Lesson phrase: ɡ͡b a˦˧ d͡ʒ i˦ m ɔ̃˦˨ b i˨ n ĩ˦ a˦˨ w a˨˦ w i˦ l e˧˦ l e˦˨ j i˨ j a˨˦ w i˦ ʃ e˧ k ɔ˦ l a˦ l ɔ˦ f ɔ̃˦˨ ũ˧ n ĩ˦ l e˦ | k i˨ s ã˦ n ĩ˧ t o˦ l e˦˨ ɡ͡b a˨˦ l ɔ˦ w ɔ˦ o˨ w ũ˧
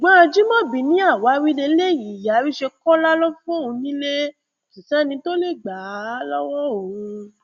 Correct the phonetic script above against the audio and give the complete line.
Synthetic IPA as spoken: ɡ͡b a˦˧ d͡ʒ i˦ m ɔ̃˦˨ b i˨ n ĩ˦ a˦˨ w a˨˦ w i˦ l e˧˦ l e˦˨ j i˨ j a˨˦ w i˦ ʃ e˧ k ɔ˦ l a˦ l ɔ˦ f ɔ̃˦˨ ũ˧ n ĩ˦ l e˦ | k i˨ s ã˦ n ĩ˧ t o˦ l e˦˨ ɡ͡b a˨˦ l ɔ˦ w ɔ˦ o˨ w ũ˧

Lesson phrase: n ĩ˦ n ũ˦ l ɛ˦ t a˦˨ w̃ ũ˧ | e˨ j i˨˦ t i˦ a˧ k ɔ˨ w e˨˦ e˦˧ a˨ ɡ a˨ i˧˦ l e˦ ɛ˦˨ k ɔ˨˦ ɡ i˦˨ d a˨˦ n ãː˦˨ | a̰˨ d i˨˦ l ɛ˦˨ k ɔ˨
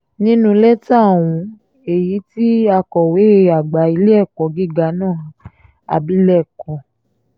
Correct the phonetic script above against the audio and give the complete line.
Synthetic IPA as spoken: n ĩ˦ n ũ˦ l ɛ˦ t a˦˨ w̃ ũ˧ | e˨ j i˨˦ t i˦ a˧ k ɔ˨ w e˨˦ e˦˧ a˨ ɡ͡b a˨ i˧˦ l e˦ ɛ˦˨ k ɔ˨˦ ɡ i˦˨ ɡ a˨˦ n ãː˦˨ | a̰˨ b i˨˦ l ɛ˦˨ k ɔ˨

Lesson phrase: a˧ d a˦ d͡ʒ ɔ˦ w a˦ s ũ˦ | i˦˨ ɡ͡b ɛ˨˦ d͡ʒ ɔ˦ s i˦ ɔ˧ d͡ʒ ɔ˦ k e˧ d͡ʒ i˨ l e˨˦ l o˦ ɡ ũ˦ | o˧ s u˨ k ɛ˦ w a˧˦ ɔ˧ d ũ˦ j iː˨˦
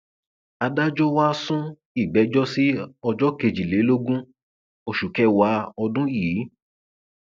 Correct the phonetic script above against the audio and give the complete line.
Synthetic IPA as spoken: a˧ d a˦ d͡ʒ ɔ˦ w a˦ s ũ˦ | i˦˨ ɡ͡b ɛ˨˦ d͡ʒ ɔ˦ s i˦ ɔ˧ d͡ʒ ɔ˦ k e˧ d͡ʒ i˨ l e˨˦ l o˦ ɡ ũ˦ | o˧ ʃ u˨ k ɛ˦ w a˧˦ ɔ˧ d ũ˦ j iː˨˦

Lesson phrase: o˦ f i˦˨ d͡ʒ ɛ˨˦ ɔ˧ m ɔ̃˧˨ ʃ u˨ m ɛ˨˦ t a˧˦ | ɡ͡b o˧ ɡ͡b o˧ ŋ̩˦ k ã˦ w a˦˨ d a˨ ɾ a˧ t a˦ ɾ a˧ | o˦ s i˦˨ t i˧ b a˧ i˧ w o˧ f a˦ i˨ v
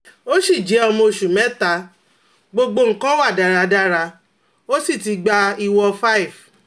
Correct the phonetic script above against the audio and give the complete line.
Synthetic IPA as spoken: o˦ ʃ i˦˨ d͡ʒ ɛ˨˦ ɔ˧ m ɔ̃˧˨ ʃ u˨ m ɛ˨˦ t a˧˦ | ɡ͡b o˧ ɡ͡b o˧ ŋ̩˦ k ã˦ w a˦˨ d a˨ ɾ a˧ d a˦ ɾ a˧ | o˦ s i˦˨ t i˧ ɡ͡b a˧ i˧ w ɔ˧ f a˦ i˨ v

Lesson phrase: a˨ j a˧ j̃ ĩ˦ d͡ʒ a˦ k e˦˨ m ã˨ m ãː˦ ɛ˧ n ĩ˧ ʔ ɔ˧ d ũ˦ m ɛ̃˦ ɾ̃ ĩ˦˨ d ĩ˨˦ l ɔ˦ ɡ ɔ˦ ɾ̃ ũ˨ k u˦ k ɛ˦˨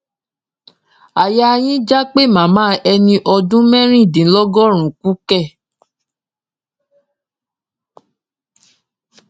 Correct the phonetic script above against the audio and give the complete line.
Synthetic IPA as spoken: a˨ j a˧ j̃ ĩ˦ d͡ʒ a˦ k͡p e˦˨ m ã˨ m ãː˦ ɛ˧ n ĩ˧ ʔ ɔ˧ d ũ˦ m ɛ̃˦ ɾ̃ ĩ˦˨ d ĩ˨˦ l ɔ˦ ɡ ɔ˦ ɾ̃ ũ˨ k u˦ k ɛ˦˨

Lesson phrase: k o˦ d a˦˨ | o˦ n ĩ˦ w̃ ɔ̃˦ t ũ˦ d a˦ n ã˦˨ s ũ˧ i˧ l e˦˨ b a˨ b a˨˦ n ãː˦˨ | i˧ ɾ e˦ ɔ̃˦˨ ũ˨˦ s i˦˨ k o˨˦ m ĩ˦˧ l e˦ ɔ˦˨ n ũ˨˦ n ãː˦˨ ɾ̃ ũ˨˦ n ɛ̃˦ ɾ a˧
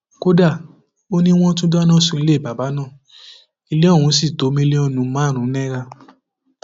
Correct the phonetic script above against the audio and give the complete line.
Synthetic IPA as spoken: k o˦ d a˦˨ | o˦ n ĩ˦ w̃ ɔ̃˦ t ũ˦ d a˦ n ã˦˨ s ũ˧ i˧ l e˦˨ b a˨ b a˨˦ n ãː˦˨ | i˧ l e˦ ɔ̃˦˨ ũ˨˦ s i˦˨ t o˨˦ m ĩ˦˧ l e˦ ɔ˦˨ n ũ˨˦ m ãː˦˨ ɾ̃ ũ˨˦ n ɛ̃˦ ɾ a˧

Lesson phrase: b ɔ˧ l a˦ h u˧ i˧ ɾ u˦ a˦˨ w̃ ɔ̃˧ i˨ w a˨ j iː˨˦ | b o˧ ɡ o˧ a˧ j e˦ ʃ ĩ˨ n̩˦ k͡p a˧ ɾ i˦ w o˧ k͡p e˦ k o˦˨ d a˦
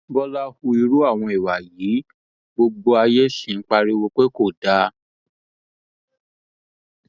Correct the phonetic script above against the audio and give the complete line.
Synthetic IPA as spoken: b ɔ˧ l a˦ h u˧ i˧ ɾ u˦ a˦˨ w̃ ɔ̃˧ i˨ w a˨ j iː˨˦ | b o˧ ɡ͡b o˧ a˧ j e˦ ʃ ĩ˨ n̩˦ k͡p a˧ ɾ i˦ w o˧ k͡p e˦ k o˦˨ d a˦

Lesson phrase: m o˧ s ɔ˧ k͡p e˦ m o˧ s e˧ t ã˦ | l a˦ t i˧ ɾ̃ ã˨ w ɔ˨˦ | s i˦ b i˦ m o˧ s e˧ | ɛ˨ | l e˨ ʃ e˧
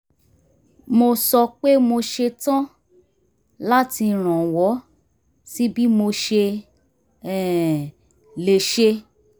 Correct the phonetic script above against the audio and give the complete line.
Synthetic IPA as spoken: m o˧ s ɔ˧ k͡p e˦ m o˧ ʃ e˧ t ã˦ | l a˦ t i˧ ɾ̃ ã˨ w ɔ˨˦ | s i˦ b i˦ m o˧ ʃ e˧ | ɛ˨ | l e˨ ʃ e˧

